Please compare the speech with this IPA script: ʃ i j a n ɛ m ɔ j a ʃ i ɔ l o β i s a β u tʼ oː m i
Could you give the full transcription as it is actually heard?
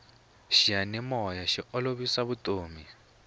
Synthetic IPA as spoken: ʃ i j a n ɛ m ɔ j a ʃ i ɔ l o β i s a β u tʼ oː m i